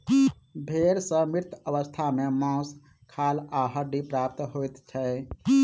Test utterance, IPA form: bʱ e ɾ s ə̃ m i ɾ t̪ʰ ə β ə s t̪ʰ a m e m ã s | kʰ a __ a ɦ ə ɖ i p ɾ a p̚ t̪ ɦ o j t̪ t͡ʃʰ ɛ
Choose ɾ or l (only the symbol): l